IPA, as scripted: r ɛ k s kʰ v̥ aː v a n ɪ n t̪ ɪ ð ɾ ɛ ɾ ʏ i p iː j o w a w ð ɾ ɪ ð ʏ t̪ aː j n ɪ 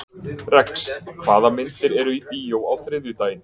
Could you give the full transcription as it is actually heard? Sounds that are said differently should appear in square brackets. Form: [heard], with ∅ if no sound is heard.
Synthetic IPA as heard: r ɛ k s kʰ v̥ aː [ð] a [m] ɪ n t̪ ɪ [∅] ɾ ɛ ɾ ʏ i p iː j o w a w [θ] ɾ ɪ ð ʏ t̪ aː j n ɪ